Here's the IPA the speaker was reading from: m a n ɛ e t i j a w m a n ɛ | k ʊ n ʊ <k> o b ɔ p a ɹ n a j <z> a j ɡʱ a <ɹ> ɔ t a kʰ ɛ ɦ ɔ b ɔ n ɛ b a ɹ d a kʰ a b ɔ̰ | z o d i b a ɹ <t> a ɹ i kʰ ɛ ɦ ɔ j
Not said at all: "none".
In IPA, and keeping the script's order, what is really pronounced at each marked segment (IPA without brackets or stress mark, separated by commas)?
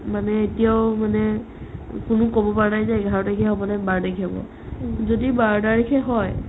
k, z, ɹ, d